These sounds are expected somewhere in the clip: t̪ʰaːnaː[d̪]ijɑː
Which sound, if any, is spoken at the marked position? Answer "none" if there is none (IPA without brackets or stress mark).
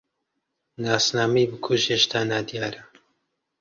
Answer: d̪